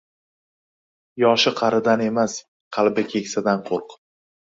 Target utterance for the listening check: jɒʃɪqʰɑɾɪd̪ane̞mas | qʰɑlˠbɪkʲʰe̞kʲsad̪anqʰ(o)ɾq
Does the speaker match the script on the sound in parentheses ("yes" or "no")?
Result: yes